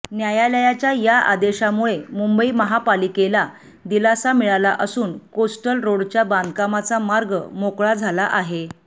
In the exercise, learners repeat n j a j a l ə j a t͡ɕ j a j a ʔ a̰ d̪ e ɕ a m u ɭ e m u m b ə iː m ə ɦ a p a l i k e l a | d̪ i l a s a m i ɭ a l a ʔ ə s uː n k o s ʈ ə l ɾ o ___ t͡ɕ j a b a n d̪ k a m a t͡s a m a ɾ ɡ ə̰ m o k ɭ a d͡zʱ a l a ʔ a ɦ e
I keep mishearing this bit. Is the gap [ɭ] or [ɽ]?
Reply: ɽ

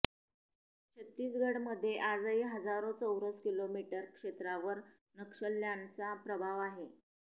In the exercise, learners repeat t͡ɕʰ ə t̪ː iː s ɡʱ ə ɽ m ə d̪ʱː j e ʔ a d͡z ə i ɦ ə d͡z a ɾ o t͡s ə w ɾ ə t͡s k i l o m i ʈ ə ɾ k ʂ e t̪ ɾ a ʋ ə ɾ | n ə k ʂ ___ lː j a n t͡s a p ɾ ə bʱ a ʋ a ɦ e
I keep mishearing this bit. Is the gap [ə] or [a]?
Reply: ə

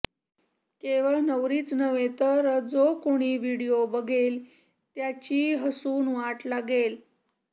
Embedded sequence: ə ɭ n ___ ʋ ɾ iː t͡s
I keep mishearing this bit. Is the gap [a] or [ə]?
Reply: ə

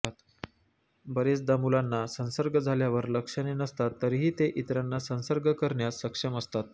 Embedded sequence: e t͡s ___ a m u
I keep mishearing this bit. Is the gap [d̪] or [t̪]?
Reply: d̪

